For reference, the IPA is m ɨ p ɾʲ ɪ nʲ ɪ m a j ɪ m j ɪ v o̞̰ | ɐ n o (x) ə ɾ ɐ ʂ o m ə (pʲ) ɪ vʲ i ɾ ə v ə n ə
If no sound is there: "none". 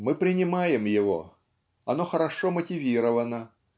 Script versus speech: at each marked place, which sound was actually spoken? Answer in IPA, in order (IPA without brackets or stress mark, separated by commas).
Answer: x, tʲ